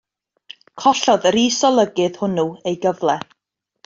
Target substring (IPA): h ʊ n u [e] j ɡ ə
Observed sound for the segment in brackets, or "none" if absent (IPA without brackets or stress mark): e